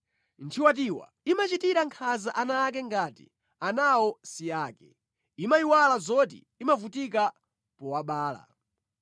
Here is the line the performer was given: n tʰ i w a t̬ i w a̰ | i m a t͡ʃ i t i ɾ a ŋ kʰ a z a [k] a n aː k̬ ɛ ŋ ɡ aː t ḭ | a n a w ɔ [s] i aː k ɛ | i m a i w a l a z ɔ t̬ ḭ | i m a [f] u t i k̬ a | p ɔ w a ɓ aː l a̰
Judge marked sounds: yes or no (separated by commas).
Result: no, yes, no